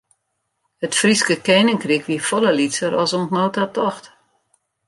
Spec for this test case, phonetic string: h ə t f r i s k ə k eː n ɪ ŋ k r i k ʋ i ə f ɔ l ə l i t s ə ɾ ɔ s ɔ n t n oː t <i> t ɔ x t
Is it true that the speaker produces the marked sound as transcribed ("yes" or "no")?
no